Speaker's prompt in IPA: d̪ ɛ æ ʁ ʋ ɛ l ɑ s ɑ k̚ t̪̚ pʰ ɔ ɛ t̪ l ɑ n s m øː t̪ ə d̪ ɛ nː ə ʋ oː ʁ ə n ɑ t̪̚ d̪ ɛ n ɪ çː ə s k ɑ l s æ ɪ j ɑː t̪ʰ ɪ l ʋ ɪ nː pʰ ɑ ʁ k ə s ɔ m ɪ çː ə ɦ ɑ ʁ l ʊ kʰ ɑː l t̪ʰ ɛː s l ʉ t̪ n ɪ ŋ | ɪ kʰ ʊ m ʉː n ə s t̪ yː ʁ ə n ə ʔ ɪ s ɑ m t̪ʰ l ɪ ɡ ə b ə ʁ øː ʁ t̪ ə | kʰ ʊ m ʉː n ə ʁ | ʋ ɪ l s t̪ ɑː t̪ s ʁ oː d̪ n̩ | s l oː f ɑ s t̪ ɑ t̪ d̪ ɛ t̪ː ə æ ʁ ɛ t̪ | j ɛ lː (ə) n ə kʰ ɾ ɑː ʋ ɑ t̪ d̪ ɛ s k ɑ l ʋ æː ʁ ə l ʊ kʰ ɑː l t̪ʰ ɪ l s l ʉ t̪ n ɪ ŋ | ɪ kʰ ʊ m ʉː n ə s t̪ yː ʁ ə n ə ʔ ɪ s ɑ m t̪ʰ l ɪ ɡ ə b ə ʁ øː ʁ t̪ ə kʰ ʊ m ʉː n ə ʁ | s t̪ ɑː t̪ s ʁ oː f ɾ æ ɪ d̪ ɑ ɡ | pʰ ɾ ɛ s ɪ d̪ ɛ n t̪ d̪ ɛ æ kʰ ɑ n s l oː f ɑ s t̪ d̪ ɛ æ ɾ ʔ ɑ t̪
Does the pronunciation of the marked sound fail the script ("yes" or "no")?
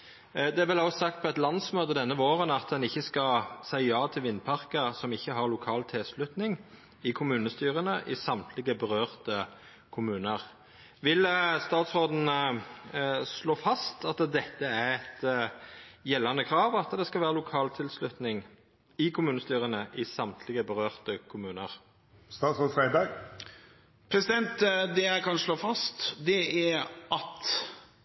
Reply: yes